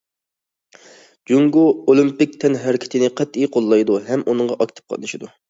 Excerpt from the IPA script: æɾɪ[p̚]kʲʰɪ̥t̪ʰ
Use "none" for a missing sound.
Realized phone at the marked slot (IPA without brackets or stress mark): none